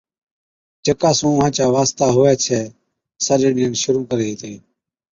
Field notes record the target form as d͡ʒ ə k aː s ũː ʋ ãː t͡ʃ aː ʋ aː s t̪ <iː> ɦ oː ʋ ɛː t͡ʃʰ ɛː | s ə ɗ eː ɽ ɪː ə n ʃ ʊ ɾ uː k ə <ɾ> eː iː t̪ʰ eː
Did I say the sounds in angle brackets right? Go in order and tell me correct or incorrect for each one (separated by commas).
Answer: incorrect, correct